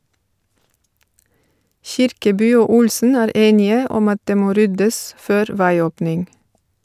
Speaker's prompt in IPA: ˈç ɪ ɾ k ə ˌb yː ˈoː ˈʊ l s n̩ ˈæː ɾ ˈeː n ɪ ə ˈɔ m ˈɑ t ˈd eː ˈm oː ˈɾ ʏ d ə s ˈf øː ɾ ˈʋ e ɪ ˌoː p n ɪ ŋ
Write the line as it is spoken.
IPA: ˈç ɪ ɾ k ə ˌb yː ˈoː ˈʊ l s n̩ ˈæː ɾ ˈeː n ɪ ə ˈɔ m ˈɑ t ˈd eː ˈm oː ˈɾ ʏ d ə s ˈf øː ɾ ˈʋ æ ɪ ˌoː p n ɪ ŋ